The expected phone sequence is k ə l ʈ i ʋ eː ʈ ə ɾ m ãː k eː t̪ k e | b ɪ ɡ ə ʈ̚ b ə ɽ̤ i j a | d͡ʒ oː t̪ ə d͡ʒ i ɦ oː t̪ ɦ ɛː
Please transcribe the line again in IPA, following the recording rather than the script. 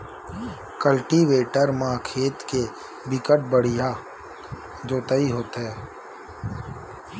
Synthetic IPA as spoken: k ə l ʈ i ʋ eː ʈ ə ɾ m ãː kʰ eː t̪ k e | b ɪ k ə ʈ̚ b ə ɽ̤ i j a | d͡ʒ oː t̪ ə i ɦ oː t̪ ɦ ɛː